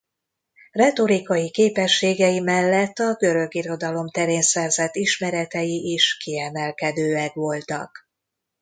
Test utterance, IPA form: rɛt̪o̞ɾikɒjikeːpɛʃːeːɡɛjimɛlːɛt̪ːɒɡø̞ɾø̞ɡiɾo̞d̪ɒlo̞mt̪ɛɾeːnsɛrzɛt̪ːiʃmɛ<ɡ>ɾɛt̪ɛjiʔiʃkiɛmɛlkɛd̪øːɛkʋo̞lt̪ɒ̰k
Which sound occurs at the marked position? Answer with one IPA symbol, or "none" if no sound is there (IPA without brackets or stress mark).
none